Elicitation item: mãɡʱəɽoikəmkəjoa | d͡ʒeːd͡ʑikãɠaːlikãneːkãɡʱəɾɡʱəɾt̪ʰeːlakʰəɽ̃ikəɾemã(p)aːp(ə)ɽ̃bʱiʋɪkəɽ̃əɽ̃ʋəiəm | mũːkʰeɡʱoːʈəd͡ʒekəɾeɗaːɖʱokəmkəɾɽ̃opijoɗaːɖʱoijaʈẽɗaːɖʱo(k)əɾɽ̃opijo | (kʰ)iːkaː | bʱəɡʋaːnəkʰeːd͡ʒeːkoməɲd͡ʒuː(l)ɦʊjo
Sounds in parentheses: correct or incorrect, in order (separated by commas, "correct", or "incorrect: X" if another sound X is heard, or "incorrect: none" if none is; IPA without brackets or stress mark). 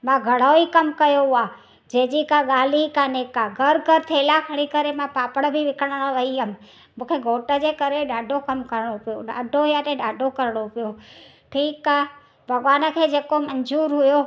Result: correct, correct, correct, incorrect: ʈʰ, incorrect: ɾ